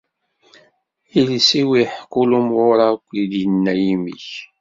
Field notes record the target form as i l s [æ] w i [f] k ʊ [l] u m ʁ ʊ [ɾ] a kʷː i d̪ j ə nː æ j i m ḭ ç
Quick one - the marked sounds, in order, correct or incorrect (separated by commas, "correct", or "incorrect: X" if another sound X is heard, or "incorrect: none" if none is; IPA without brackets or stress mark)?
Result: incorrect: i, incorrect: ħ, correct, correct